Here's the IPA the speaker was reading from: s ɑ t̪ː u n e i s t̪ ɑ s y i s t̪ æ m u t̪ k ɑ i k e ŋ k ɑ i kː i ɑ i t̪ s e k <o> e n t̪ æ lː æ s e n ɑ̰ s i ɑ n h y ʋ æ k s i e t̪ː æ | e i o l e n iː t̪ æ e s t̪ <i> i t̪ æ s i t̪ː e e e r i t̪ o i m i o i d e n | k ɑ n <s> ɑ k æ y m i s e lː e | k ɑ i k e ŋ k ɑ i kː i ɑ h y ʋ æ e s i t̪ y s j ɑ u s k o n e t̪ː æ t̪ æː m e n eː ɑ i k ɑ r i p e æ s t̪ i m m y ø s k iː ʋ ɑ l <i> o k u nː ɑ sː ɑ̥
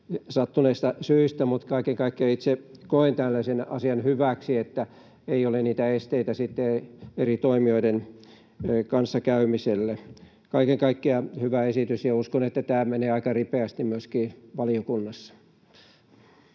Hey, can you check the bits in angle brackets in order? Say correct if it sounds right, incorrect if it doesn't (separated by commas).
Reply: correct, incorrect, incorrect, correct